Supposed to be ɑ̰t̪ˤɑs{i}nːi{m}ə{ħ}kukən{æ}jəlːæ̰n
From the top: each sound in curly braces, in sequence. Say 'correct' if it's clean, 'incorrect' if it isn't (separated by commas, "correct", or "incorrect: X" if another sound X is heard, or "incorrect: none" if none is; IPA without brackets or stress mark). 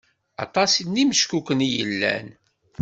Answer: correct, correct, incorrect: ʃ, incorrect: i